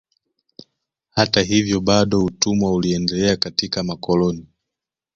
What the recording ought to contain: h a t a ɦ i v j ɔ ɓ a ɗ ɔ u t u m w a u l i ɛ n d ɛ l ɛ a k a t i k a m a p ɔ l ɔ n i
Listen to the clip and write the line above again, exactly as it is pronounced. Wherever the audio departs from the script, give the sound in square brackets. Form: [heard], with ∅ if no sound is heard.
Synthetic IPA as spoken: h a t a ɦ i v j ɔ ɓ a ɗ ɔ u t u m w a u l i ɛ n d ɛ l ɛ a k a t i k a m a [k] ɔ l ɔ n i